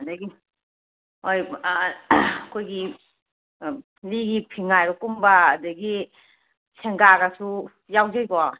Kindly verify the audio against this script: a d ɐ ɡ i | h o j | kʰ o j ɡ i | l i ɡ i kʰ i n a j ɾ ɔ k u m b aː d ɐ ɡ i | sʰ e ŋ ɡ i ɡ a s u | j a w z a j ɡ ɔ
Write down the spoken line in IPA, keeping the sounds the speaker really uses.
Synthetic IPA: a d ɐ ɡ i | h o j | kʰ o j ɡ i | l i ɡ i pʰ i ŋ a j ɾ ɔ k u m b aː d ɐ ɡ i | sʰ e ŋ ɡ a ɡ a s u | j a w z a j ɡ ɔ